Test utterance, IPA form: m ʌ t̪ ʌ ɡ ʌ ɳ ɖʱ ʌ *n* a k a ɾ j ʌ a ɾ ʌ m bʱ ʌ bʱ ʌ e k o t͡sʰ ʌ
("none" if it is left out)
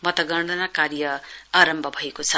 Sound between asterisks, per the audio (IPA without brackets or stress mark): n